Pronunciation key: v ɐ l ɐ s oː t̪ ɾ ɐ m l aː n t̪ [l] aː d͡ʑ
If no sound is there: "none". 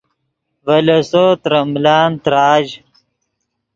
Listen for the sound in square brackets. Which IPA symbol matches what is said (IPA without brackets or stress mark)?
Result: ɾ